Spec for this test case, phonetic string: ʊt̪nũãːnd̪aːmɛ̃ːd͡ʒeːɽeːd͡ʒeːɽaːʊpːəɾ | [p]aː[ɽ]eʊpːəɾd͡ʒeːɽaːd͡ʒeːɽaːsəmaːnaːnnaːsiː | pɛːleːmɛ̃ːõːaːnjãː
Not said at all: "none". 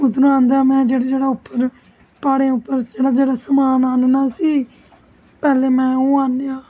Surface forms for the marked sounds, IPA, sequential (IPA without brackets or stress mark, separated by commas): p, ɽ